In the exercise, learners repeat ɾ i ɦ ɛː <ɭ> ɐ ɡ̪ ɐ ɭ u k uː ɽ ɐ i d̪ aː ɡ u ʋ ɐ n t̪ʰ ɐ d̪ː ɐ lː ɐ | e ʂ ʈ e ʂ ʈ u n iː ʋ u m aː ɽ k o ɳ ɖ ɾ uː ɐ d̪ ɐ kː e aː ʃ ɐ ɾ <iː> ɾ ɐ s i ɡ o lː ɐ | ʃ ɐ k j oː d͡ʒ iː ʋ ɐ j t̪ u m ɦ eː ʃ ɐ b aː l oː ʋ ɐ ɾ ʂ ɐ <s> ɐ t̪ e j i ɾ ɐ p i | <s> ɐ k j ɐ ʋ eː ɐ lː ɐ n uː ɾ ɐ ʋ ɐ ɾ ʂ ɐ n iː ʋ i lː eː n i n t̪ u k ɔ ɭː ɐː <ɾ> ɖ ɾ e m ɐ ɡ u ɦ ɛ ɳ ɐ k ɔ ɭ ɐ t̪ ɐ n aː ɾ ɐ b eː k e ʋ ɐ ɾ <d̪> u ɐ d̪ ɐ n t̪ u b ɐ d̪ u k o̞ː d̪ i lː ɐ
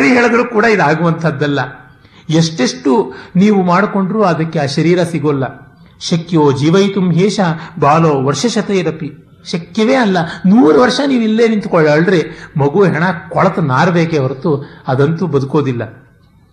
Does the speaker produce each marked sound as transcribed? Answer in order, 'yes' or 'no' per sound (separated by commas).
yes, yes, no, no, no, no